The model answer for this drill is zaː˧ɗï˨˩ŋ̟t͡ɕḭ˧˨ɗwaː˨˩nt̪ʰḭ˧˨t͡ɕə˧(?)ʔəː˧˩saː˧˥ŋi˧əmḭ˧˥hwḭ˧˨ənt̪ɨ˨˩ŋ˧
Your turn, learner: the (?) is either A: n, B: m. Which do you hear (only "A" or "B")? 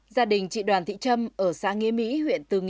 B